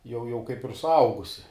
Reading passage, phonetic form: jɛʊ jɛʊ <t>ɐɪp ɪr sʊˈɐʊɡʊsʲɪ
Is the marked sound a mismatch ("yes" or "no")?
yes